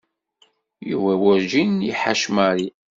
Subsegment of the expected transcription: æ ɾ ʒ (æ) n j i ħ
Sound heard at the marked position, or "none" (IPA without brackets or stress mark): i